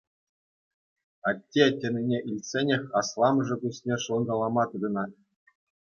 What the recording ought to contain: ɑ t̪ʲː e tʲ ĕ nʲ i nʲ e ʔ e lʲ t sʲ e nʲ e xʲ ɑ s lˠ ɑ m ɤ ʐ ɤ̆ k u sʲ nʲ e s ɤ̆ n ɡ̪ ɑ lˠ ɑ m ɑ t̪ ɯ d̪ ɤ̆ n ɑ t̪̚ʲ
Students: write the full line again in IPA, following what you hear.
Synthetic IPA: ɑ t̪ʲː e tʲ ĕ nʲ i nʲ e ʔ i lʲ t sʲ e nʲ e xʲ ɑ s lˠ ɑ m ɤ ʐ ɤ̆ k u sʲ nʲ e ʂ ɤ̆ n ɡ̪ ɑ lˠ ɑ m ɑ t̪ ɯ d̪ ɤ̆ n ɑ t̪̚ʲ